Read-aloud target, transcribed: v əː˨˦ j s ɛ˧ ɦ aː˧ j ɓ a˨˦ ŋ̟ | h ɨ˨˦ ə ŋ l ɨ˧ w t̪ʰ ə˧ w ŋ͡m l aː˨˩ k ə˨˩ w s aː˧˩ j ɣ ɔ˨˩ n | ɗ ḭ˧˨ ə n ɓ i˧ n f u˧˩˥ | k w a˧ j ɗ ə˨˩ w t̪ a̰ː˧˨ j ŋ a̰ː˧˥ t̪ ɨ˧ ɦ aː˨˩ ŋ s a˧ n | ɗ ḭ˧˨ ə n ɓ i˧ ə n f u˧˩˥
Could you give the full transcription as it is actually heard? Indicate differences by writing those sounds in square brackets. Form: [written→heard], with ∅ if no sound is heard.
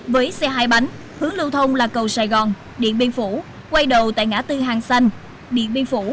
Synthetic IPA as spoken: v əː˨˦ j s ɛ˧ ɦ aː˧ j ɓ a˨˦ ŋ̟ | h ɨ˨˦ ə ŋ l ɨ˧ w t̪ʰ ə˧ w ŋ͡m l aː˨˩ k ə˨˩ w s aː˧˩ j ɣ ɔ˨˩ n | ɗ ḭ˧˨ ə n ɓ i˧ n f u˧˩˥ | k w a˧ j ɗ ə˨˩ w t̪ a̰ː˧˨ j ŋ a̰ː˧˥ t̪ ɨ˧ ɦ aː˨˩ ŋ s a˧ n | ɗ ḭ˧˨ ə n ɓ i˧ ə n f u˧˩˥